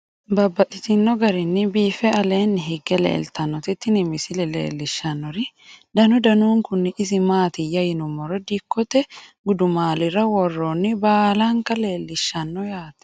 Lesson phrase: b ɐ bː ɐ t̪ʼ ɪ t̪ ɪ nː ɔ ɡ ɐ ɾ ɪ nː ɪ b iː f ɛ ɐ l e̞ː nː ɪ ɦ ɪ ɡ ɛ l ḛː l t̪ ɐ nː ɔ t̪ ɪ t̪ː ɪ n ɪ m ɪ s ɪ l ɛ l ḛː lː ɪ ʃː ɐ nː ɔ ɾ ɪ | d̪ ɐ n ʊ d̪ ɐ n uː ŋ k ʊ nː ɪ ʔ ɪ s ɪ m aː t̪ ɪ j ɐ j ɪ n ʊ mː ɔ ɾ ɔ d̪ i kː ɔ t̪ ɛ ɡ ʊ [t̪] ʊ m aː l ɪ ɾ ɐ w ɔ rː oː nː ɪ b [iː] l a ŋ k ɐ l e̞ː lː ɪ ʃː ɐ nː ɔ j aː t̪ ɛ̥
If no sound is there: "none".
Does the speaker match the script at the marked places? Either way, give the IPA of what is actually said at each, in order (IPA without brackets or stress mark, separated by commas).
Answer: d̪, aː